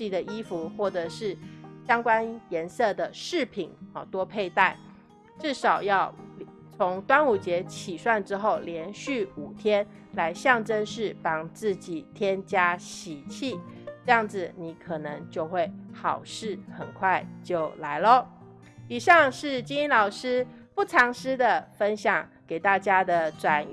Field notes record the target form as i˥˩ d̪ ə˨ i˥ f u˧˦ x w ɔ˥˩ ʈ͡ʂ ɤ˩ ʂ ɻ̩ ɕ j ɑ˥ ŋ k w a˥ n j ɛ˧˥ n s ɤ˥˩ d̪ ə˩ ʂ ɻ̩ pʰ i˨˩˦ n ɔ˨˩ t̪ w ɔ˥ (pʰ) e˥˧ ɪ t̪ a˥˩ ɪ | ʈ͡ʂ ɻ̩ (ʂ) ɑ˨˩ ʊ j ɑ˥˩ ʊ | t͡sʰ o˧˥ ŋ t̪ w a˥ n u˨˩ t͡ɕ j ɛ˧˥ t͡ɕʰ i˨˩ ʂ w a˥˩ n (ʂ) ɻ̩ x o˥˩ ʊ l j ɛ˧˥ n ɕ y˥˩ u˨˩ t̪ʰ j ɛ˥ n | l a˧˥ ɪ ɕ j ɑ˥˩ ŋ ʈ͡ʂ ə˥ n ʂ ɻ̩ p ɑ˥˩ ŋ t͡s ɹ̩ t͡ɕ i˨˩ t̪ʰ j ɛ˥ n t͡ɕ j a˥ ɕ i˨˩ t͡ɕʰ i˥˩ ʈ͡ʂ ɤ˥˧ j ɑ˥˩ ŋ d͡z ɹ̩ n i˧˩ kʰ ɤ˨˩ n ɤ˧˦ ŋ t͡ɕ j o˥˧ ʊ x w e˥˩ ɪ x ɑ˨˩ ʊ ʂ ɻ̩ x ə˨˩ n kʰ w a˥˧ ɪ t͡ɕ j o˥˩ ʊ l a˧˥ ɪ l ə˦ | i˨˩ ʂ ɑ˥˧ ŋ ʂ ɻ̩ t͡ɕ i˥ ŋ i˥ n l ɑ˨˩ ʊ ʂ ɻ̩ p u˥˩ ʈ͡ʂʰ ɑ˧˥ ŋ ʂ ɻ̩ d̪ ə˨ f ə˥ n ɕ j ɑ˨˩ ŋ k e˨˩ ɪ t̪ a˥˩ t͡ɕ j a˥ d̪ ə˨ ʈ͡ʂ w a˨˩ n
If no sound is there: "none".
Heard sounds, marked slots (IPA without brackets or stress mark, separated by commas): pʰ, ʂ, ʈ͡ʂ